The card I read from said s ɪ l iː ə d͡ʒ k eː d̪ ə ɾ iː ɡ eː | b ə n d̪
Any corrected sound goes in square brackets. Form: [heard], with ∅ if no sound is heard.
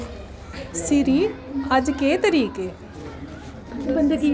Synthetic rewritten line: s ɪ [ɾ] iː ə d͡ʒ k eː [t̪] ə ɾ iː [k] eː | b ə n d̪